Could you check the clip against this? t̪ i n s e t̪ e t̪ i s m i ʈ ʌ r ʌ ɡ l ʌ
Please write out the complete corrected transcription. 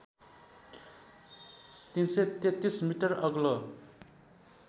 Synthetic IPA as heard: t̪ i n s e t̪ e t̪ i s m i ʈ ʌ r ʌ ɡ l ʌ